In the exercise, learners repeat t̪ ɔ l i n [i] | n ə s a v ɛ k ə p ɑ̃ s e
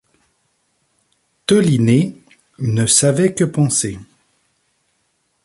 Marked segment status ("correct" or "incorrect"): incorrect